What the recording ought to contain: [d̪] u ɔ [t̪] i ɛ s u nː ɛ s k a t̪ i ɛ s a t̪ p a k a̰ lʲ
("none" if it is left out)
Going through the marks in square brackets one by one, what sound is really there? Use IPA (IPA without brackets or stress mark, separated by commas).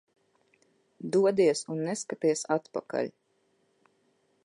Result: d̪, d̪